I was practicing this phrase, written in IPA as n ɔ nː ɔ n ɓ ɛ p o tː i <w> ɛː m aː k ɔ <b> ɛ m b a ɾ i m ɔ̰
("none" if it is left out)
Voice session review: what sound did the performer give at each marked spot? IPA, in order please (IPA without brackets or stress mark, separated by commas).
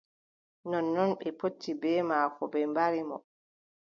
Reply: b, b